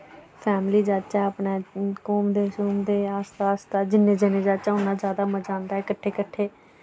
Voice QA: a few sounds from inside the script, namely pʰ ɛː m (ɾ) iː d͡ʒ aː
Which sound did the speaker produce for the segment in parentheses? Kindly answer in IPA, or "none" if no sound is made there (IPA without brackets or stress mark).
l